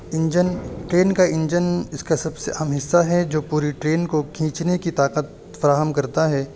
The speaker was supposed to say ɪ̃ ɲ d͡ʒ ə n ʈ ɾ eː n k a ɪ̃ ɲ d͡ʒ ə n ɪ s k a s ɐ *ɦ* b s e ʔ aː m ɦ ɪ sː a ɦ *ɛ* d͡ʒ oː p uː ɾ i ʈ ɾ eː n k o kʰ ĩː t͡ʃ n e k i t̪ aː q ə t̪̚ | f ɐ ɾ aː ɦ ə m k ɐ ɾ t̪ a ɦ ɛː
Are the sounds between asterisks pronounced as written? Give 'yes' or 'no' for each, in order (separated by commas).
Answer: no, yes